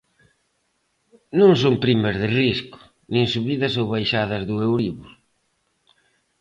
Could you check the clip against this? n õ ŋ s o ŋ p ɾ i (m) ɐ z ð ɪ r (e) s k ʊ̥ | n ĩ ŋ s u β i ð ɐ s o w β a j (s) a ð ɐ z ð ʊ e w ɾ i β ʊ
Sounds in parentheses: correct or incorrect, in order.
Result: correct, incorrect: i, incorrect: ʃ

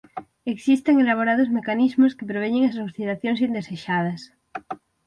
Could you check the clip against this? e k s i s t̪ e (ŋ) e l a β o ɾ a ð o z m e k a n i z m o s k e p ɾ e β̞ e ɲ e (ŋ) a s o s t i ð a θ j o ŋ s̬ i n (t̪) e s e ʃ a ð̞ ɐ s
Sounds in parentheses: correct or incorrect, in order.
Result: correct, correct, incorrect: d̪

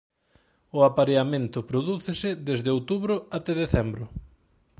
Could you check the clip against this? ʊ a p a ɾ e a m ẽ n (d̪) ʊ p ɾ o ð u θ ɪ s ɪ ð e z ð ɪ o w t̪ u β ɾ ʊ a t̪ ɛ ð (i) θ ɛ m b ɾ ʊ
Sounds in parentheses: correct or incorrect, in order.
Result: incorrect: t̪, incorrect: e

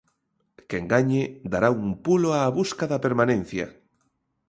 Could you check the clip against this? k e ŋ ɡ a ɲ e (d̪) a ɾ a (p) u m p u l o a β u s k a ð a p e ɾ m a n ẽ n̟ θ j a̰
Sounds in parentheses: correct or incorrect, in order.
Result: correct, incorrect: none

